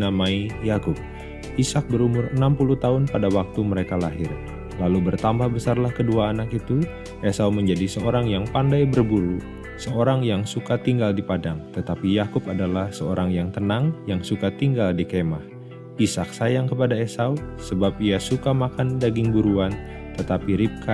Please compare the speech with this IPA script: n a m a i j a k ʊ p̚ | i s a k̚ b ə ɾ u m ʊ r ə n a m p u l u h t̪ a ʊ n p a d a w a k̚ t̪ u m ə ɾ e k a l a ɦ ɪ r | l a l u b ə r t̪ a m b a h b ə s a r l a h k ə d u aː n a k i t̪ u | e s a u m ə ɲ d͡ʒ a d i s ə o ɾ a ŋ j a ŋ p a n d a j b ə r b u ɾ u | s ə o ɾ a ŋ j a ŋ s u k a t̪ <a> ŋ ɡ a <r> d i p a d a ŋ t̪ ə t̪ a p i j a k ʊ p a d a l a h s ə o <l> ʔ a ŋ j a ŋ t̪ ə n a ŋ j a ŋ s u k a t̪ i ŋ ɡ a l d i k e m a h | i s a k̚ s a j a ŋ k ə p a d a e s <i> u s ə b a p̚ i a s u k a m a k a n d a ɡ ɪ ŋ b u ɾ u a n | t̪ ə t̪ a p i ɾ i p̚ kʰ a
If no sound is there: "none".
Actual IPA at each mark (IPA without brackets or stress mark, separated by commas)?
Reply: i, l, ɾ, a